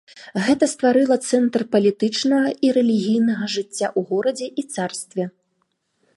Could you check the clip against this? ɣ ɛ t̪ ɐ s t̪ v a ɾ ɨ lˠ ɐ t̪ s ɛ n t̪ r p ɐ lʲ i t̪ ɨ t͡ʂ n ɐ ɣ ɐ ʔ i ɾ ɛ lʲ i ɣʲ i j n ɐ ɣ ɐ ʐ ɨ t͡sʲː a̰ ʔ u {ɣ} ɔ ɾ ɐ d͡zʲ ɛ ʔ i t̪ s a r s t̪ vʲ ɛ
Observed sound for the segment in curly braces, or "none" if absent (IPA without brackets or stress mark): ɣ